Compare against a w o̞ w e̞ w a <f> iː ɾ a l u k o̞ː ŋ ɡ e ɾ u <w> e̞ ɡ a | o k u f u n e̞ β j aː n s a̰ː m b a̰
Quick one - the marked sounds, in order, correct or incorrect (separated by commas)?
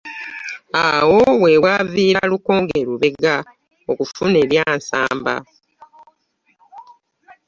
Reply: incorrect, incorrect